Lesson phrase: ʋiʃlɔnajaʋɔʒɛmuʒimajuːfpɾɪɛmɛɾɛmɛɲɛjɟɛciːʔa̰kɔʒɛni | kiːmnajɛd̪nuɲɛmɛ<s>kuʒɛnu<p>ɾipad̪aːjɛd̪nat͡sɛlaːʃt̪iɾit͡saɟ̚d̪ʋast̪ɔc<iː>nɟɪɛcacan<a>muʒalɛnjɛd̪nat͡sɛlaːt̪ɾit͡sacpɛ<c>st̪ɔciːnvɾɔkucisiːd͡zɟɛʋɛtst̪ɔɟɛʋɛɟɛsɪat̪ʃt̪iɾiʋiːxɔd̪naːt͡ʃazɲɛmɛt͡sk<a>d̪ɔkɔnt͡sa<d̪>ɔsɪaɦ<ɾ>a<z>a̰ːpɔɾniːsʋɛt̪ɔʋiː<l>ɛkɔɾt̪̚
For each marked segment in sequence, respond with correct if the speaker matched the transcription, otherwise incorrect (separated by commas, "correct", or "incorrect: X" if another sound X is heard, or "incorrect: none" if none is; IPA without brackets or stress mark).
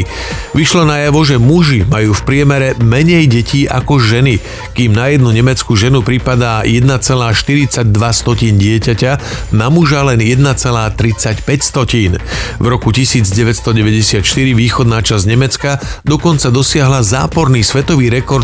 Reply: incorrect: t͡s, correct, correct, correct, correct, correct, correct, incorrect: l, correct, incorrect: ɾ